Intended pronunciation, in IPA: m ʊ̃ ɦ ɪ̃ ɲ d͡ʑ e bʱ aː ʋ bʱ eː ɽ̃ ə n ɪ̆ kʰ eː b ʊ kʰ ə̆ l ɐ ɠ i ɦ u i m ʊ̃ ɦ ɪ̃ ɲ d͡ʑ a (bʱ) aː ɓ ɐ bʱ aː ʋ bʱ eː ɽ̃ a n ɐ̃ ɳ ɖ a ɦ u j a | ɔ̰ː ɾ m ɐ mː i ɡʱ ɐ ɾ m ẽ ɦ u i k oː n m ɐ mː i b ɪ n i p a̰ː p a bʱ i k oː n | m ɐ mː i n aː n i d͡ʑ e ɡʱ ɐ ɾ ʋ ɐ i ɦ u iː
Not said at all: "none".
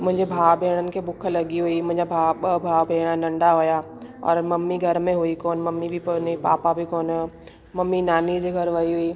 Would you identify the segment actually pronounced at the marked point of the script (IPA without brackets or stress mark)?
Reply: bʱ